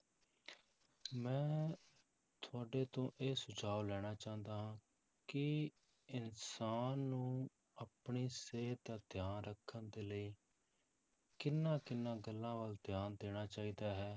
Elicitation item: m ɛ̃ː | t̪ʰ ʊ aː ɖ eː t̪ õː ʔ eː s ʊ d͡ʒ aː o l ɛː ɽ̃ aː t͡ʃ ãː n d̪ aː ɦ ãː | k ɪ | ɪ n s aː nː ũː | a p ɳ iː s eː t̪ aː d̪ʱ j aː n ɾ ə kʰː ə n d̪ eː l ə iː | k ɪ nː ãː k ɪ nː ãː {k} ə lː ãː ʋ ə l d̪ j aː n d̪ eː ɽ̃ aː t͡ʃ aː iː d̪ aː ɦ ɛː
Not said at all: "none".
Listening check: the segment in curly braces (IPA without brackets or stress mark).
ɡ